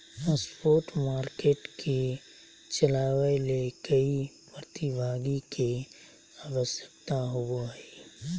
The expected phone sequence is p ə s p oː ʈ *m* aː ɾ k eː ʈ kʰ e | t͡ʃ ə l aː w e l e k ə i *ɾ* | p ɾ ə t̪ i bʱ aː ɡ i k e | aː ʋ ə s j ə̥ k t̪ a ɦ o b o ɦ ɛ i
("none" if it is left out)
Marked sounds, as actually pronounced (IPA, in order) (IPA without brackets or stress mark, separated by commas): m, none